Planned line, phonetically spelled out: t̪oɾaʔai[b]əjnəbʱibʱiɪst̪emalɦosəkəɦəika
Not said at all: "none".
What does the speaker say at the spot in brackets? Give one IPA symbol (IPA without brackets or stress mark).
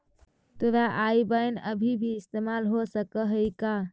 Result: b